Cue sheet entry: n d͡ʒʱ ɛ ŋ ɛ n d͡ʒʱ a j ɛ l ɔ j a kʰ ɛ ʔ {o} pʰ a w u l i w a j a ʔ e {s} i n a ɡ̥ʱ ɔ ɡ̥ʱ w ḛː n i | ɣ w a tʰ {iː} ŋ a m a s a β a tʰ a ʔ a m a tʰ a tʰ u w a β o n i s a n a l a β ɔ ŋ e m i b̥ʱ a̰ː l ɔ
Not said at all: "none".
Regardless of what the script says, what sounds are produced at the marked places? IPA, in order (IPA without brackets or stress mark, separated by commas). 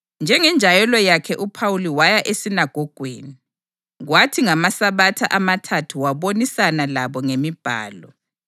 u, s, i